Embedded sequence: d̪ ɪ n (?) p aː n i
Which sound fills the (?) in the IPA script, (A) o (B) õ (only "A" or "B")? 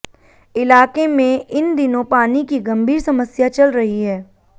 B